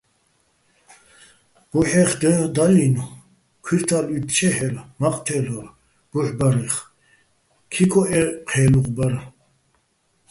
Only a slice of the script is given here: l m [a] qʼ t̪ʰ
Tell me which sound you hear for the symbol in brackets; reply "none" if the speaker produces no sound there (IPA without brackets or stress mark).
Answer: a